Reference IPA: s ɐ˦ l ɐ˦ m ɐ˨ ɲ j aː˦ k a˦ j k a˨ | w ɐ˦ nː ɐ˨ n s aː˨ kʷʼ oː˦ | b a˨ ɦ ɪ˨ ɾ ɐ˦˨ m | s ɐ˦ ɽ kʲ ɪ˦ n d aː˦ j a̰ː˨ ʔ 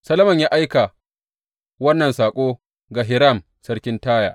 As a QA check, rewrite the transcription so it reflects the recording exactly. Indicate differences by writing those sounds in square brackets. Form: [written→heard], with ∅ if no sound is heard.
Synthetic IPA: s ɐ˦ l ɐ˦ m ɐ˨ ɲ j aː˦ [k→ʔ] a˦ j k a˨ | w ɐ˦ nː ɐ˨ n s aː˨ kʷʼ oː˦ | [b→ɡ] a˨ ɦ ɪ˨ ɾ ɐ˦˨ m | s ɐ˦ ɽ kʲ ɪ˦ n [d→t] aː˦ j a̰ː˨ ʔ